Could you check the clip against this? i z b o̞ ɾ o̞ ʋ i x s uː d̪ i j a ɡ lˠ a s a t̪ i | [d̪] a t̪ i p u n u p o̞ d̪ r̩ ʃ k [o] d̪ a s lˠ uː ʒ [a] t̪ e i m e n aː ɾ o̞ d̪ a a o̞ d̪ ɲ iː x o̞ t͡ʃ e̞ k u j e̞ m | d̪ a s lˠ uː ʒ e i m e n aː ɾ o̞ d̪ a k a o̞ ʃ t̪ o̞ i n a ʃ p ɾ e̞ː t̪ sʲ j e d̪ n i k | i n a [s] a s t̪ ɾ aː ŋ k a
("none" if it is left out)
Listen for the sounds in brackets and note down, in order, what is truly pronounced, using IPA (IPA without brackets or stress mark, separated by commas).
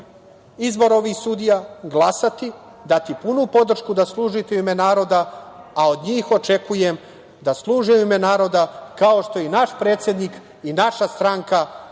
d̪, u, i, ʃ